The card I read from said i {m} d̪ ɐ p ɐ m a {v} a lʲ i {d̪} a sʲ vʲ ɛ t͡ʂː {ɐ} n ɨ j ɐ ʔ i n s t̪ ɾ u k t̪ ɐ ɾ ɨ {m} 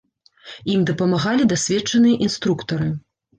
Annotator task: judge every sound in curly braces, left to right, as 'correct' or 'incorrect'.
correct, incorrect, correct, correct, incorrect

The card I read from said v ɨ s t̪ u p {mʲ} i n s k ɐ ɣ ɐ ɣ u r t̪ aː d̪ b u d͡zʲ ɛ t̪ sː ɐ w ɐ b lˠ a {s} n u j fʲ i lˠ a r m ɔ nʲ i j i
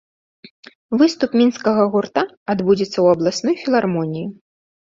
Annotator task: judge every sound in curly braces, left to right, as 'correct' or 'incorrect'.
correct, correct

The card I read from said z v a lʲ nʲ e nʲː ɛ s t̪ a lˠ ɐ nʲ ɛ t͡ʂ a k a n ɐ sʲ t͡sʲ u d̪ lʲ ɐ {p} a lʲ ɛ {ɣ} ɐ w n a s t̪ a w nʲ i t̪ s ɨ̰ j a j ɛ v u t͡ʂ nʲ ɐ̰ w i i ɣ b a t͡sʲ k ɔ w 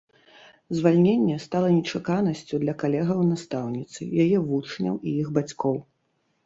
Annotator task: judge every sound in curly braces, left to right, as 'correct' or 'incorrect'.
incorrect, correct

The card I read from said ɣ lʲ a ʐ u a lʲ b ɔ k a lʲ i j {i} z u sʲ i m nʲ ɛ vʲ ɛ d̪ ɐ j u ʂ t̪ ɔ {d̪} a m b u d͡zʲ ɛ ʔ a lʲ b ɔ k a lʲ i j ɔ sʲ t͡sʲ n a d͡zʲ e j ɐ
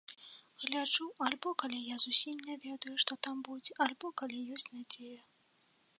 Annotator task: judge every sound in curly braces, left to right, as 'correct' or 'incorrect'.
incorrect, incorrect

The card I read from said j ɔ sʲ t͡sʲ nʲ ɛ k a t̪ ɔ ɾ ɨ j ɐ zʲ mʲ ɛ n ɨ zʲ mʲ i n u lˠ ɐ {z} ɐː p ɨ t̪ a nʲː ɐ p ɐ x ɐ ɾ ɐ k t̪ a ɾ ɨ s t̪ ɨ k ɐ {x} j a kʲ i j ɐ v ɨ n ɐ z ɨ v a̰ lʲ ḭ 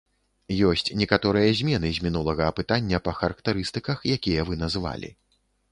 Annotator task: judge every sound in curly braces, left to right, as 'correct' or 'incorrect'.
incorrect, correct

